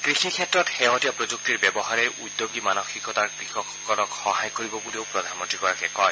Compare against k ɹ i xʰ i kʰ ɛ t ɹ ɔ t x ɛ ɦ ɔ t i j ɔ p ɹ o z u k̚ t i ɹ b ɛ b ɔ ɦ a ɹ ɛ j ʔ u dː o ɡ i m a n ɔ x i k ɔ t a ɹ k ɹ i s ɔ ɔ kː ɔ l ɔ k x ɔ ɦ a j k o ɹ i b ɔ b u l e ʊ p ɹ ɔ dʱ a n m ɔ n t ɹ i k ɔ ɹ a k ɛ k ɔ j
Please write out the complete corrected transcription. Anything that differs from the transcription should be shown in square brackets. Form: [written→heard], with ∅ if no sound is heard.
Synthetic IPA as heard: k ɹ i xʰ i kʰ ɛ t ɹ ɔ t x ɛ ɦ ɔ t i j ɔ p ɹ o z u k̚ t i ɹ b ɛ b ɔ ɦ a ɹ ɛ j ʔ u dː o ɡ i m a n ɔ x i k ɔ t a ɹ k ɹ i [s→x] ɔ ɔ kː ɔ l ɔ k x ɔ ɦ a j k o ɹ i b ɔ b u l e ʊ p ɹ ɔ dʱ a n m ɔ n t ɹ i k ɔ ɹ a k ɛ k ɔ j